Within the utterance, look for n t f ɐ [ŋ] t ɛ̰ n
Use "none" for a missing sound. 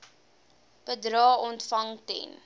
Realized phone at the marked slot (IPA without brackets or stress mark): ŋ